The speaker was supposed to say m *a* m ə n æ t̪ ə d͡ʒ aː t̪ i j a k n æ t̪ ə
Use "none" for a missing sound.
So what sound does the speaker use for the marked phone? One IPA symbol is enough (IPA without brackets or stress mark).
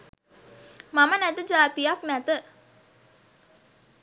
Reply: a